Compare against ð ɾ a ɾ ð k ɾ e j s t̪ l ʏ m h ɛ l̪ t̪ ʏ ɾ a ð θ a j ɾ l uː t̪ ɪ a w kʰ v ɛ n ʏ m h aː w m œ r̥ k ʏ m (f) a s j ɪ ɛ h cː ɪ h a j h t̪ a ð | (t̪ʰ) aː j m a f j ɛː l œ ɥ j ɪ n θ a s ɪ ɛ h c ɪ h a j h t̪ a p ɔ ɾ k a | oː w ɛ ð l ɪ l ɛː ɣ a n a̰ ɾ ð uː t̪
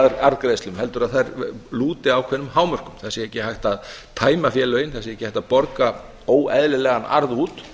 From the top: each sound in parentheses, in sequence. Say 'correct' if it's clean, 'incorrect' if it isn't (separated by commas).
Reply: incorrect, correct